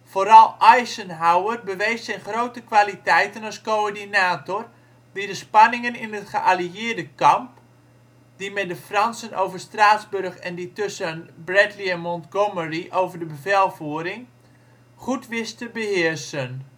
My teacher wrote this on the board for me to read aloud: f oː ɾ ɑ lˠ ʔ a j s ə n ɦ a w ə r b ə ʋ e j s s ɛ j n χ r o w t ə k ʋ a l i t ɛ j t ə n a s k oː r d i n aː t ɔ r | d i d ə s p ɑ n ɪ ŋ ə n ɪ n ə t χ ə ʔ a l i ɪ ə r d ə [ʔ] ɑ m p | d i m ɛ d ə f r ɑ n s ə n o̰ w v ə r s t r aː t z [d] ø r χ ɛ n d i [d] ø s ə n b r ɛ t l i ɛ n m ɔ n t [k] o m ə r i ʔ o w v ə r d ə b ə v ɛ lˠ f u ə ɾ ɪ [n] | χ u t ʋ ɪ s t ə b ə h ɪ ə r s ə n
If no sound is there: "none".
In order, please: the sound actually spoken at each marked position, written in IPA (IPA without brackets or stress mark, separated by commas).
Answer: k, b, t, ɡ, ŋ